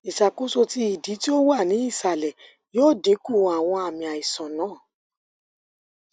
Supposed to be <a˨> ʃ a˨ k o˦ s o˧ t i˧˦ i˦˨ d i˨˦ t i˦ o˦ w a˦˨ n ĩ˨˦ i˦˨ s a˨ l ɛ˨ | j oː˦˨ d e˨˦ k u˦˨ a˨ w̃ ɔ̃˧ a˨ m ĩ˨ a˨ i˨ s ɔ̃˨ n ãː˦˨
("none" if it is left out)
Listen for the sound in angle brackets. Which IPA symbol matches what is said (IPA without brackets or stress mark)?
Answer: i˨